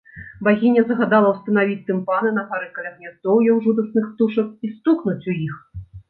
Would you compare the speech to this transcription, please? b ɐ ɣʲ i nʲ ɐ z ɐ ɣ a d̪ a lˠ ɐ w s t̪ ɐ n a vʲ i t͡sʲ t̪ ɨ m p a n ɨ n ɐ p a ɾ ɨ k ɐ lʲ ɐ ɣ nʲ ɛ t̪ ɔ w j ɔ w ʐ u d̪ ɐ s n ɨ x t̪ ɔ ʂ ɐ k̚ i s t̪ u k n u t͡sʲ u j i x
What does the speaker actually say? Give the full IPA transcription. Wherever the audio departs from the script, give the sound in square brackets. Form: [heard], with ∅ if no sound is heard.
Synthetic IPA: b [a] ɣʲ i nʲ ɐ z ɐ ɣ a d̪ a lˠ ɐ w s t̪ ɐ n a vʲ i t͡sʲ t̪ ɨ m p a n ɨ n ɐ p a ɾ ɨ k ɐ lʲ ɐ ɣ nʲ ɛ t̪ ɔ w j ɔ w ʐ u d̪ ɐ s n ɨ x t̪ [u] ʂ ɐ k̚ i s t̪ u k n u t͡sʲ u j i x